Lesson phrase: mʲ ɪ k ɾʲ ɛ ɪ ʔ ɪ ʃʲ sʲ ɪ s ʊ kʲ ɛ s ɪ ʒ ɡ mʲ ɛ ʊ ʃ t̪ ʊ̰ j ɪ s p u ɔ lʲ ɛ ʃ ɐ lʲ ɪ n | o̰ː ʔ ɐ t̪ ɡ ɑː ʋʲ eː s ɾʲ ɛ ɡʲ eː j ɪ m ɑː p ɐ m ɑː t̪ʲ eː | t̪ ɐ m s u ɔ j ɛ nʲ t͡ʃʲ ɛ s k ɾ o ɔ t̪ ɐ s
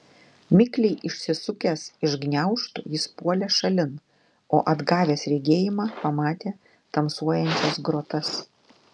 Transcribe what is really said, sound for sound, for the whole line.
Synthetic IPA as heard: mʲ ɪ k lʲ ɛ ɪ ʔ ɪ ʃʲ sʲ ɪ s ʊ kʲ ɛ s ɪ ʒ ɡ nʲ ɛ ʊ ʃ t̪ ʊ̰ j ɪ s p u ɔ lʲ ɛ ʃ ɐ lʲ ɪ n | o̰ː ʔ ɐ d̪ ɡ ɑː ʋʲ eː s ɾʲ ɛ ɡʲ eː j ɪ m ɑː p ɐ m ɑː t̪ʲ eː | t̪ ɐ m s u ɔ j ɛ nʲ t͡ʃʲ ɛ s ɡ ɾ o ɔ t̪ ɐ s

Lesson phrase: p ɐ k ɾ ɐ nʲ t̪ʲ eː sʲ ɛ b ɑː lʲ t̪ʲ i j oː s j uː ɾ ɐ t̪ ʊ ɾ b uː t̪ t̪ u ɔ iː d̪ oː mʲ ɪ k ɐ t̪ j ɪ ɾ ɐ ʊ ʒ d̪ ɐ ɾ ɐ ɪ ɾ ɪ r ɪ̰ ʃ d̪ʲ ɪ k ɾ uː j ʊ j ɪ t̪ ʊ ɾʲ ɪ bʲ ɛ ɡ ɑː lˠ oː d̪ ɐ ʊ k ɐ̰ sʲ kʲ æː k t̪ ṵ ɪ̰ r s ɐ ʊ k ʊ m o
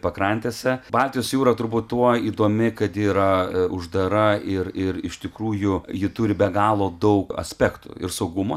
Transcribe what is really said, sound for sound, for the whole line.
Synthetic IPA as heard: p ɐ k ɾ ɐ nʲ t̪ʲ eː sʲ ɛ b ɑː lʲ t̪ʲ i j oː s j uː ɾ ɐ t̪ ʊ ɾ b uː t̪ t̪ u ɔ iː d̪ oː mʲ ɪ k ɐ t̪ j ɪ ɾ ɐ ʊ ʒ d̪ ɐ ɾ ɐ ɪ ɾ ɪ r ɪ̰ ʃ t̪ʲ ɪ k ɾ uː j ʊ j ɪ t̪ ʊ ɾʲ ɪ bʲ ɛ ɡ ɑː lˠ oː d̪ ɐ ʊ k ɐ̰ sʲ pʲ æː k t̪ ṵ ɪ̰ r s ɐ ʊ ɡ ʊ m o

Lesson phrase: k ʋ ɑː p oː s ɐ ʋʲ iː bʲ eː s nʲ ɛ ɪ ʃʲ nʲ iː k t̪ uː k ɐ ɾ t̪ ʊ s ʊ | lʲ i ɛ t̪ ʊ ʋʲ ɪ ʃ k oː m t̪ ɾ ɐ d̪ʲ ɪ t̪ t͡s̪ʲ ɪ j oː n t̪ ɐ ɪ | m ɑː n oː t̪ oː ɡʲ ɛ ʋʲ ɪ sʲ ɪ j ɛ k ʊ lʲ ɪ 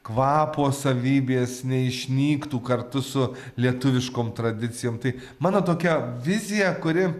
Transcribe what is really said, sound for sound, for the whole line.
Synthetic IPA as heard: k ʋ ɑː p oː s ɐ ʋʲ iː bʲ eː s nʲ ɛ ɪ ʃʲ nʲ iː k t̪ uː k ɐ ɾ t̪ ʊ s ʊ | lʲ i ɛ t̪ ʊ ʋʲ ɪ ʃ k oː m t̪ ɾ ɐ d̪ʲ ɪ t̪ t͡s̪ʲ ɪ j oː m t̪ ɐ ɪ | m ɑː n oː t̪ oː kʲ ɛ ʋʲ ɪ zʲ ɪ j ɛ k ʊ ɾʲ ɪ

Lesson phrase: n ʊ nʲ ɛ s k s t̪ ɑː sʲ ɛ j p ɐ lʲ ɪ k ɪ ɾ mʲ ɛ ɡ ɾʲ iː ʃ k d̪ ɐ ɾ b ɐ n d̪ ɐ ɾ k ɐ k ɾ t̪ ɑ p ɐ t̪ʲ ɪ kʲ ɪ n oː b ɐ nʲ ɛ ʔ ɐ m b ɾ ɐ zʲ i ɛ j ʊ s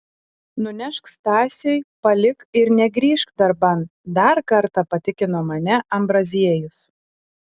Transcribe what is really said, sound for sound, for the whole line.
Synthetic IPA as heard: n ʊ nʲ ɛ ʃ k s t̪ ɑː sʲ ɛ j p ɐ lʲ ɪ k ɪ ɾ nʲ ɛ ɡ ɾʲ iː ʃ k d̪ ɐ ɾ b ɐ n d̪ ɐ ɾ k ɐ ɾ t̪ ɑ p ɐ t̪ʲ ɪ kʲ ɪ n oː m ɐ nʲ ɛ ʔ ɐ m b ɾ ɐ zʲ i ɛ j ʊ s

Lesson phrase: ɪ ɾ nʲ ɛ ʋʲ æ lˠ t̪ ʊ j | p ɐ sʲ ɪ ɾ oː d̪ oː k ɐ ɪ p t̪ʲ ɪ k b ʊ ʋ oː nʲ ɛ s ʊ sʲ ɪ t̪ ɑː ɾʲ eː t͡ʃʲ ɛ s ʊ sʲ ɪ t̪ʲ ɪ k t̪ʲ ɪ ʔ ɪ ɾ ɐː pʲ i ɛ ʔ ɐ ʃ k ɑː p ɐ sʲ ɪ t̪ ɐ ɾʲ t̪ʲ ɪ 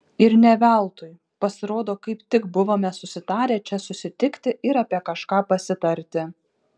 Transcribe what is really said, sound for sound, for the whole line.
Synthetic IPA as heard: ɪ ɾ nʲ ɛ ʋʲ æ lˠ t̪ ʊ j | p ɐ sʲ ɪ ɾ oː d̪ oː k ɐ ɪ p t̪ʲ ɪ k b ʊ ʋ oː mʲ ɛ s ʊ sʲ ɪ t̪ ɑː ɾʲ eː t͡ʃʲ ɛ s ʊ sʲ ɪ t̪ʲ ɪ k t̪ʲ ɪ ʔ ɪ ɾ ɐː pʲ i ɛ k ɐ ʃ k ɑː p ɐ sʲ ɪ t̪ ɐ ɾʲ t̪ʲ ɪ

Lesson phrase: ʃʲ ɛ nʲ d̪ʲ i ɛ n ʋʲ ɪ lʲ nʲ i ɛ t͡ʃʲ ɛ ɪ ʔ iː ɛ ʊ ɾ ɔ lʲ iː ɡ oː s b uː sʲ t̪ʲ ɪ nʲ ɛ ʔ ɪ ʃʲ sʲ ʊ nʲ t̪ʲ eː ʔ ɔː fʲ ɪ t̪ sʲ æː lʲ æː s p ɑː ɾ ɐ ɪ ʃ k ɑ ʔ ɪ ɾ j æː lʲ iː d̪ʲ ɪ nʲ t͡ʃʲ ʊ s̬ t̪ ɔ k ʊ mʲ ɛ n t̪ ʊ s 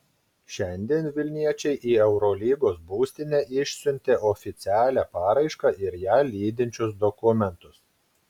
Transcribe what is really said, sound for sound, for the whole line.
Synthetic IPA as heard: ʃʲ ɛ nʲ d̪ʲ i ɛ n ʋʲ ɪ lʲ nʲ i ɛ t͡ʃʲ ɛ ɪ ʔ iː ɛ ʊ ɾ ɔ lʲ iː ɡ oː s b uː sʲ t̪ʲ ɪ nʲ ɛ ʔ ɪ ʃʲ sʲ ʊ nʲ t̪ʲ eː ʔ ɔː fʲ ɪ t̪ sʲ æː lʲ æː p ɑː ɾ ɐ ɪ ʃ k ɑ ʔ ɪ ɾ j æː lʲ iː d̪ʲ ɪ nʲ t͡ʃʲ ʊ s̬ d̪ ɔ k ʊ mʲ ɛ n t̪ ʊ s

